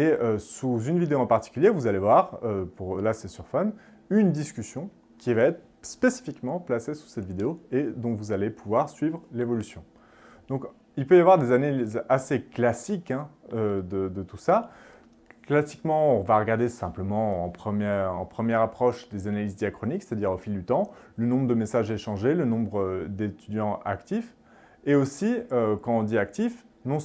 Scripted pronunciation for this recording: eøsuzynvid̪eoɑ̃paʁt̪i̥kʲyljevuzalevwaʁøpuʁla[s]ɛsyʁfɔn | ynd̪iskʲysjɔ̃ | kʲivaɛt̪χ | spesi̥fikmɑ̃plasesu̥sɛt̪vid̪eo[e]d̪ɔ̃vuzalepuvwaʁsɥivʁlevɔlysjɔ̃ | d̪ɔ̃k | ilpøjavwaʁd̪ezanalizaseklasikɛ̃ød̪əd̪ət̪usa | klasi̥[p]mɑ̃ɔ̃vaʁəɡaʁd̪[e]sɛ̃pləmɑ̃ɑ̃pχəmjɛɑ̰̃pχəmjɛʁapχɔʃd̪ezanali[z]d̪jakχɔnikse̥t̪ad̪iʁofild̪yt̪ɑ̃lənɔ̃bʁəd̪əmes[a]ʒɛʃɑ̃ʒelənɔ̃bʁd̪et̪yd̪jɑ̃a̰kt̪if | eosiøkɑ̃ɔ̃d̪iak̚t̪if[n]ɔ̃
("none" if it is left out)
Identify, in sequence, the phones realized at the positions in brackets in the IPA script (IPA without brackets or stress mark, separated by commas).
s, e, k, e, z, a, n